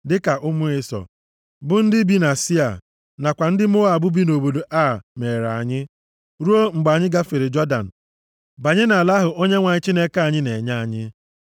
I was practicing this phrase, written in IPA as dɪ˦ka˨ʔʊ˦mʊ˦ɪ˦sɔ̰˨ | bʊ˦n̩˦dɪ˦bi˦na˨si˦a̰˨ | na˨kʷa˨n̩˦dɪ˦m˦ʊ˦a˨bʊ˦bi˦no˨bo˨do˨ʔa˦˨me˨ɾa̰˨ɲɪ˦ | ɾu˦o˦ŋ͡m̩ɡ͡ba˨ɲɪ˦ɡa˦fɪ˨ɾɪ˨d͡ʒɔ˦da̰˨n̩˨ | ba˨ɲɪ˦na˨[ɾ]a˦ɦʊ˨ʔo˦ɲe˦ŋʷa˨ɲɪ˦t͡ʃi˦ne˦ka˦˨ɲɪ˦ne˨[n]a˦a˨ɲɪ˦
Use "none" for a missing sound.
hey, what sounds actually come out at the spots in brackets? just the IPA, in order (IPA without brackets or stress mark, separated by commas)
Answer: l, ɲ